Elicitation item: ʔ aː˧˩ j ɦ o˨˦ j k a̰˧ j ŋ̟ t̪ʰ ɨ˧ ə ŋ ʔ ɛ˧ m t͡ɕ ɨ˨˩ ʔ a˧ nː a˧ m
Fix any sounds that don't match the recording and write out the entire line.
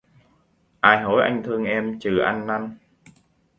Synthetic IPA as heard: ʔ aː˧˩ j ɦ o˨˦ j ʔ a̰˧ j ŋ̟ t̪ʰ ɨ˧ ə ŋ ʔ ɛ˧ m t͡ɕ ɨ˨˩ ʔ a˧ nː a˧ n